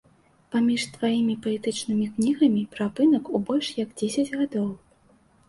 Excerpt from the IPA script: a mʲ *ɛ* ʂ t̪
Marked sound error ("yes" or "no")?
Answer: yes